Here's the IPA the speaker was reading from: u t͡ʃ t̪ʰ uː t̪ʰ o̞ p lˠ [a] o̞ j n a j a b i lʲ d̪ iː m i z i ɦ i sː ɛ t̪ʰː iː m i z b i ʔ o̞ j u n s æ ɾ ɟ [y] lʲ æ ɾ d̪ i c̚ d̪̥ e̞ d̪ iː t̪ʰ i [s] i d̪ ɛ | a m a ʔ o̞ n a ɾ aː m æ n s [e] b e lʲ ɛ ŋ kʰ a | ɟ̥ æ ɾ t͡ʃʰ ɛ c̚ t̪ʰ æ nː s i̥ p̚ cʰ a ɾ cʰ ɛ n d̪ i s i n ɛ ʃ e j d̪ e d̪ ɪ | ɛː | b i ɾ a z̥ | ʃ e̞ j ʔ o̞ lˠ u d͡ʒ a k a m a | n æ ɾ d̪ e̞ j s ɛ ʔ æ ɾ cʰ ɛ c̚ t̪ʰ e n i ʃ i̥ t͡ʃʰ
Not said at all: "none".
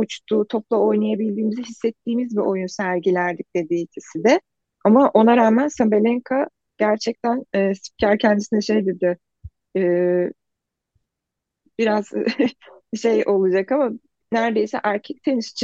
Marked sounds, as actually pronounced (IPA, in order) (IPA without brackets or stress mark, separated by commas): a, i, s, a